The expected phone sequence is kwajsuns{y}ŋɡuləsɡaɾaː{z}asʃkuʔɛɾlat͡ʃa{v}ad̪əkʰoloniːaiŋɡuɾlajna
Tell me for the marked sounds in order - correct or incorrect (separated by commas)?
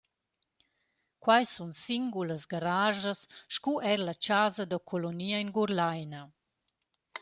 incorrect, incorrect, incorrect